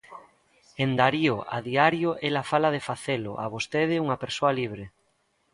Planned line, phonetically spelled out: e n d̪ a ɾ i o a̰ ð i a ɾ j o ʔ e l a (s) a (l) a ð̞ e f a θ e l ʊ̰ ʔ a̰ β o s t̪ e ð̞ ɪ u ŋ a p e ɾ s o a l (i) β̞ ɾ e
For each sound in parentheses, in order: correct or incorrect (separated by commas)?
incorrect, correct, correct